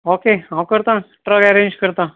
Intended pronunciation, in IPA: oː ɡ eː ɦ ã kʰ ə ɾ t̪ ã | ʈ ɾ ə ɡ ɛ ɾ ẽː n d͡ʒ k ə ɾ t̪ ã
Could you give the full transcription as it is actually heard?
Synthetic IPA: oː k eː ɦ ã k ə ɾ t̪ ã | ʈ ɾ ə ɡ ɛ ɾ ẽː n d͡ʒ k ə ɾ t̪ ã